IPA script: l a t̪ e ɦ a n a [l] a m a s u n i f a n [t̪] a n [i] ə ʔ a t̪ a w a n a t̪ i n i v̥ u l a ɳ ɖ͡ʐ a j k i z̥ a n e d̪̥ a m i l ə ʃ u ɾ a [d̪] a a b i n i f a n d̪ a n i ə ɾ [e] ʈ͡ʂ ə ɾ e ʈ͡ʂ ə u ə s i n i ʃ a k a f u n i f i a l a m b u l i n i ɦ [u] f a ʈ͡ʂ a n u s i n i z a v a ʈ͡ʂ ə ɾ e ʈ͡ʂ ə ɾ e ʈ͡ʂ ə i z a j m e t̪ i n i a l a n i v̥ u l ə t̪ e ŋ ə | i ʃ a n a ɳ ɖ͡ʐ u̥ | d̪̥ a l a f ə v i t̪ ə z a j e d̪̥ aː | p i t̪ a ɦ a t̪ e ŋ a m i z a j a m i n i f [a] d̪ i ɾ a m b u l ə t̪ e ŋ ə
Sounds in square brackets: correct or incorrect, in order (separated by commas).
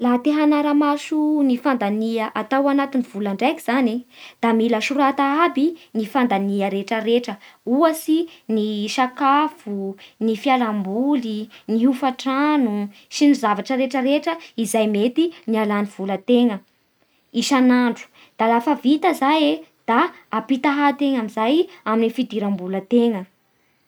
incorrect, incorrect, correct, incorrect, correct, correct, incorrect